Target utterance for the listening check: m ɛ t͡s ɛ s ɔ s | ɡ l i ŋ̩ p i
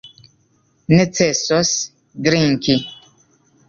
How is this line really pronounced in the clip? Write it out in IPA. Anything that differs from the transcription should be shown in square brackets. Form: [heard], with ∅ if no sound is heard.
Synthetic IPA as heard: [n] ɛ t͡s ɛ s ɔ s | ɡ [ɾ] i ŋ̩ [k] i

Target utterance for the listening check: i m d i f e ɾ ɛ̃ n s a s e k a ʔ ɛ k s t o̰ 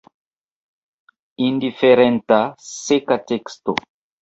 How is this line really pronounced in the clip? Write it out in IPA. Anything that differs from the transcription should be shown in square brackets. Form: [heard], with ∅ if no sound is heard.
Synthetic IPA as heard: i [n] d i f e ɾ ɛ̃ n [t] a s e k a [t] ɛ k s t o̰

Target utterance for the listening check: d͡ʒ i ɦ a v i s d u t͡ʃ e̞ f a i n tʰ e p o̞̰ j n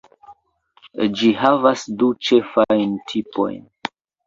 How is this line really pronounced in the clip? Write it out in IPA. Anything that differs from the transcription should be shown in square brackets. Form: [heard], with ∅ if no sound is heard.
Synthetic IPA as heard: d͡ʒ i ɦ a v [a] s d u t͡ʃ e̞ f a [j] n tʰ [i] p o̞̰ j n

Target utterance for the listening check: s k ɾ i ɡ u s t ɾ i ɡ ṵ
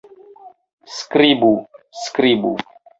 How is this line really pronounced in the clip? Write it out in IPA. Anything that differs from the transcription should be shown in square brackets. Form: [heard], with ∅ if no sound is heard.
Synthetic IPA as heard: s k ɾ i [b] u s [k] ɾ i [b] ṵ

